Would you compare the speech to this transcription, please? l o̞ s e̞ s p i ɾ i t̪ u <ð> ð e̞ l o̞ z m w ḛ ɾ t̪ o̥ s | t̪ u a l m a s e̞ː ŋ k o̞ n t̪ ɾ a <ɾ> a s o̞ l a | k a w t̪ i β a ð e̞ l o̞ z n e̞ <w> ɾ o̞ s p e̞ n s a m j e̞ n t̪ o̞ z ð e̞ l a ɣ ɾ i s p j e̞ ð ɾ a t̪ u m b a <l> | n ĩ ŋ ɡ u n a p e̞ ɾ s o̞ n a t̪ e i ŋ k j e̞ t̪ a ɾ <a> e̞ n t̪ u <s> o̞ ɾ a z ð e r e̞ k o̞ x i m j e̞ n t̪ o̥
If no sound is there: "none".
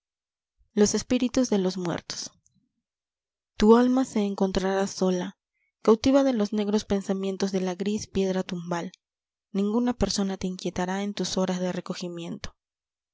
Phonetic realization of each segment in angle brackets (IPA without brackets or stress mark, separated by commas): z, ɾ, ɣ, l, a, s